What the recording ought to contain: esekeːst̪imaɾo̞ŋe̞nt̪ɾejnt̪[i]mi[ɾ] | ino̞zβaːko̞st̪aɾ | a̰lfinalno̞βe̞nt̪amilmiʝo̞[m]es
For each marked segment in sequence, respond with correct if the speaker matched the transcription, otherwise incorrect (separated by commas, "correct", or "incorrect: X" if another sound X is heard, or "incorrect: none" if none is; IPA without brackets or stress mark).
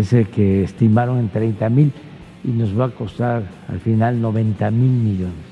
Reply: incorrect: a, incorrect: l, incorrect: n